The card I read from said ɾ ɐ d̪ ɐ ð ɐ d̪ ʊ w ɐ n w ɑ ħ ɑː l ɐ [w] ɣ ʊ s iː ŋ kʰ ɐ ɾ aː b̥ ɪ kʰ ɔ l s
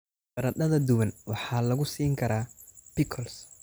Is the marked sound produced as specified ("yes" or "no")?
no